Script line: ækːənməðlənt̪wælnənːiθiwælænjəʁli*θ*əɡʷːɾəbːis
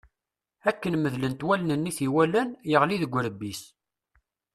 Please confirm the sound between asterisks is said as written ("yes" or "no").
no